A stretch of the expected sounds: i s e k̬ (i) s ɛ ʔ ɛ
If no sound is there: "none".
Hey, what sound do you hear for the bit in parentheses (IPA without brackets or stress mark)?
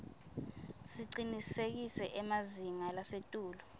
i